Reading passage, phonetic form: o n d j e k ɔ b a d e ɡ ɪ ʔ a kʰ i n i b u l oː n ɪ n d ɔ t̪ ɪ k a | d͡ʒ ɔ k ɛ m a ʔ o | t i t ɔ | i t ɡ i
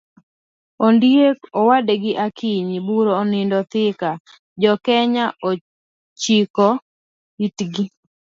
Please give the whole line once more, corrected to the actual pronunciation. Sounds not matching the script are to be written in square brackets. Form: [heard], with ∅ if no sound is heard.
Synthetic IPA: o n d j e k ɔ [w] a d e ɡ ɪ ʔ a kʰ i [ɲ] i b u [ɾ] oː n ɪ n d ɔ t̪ ɪ k a | d͡ʒ ɔ k ɛ [ɲ] a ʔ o | [t͡ʃ] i [k] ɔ | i t ɡ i